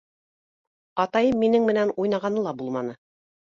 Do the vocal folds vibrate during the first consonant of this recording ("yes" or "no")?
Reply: no